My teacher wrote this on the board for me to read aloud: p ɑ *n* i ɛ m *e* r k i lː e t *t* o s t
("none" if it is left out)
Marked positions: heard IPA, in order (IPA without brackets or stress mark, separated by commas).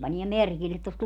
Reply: n, e, t